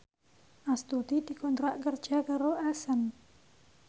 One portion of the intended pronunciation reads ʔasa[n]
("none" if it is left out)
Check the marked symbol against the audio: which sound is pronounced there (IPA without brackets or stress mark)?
n